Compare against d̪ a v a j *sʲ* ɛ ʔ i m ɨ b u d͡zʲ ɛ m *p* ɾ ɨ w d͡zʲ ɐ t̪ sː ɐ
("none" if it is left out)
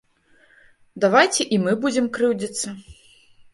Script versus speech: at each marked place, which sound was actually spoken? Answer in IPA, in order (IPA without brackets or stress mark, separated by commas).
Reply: t͡sʲ, k